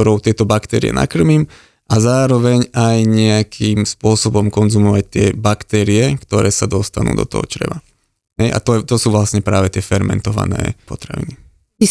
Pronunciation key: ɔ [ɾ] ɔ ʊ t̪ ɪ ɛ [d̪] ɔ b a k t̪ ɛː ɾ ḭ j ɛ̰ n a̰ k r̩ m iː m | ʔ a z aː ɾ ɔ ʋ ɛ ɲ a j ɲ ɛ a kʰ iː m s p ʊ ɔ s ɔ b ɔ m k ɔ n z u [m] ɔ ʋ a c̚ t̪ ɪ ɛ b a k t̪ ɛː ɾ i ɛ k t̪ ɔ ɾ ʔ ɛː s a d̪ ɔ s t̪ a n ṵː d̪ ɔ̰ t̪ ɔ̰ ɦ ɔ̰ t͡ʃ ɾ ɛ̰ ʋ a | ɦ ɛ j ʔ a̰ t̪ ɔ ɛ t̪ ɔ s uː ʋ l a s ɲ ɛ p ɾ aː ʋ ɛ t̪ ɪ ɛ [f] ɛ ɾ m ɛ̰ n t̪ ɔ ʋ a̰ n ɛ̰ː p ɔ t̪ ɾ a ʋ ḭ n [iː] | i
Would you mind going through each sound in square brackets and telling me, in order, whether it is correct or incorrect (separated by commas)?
correct, incorrect, correct, correct, incorrect